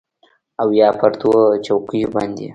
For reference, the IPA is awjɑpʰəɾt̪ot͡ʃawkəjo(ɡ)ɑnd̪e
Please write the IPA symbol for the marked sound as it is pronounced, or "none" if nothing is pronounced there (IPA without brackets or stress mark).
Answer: b